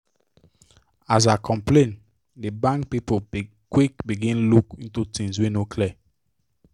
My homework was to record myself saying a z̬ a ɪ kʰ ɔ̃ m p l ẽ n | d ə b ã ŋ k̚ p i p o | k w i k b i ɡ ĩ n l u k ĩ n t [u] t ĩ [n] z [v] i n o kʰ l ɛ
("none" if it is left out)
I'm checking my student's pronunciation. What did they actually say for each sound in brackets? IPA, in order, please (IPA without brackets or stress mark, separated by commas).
u, ŋ, w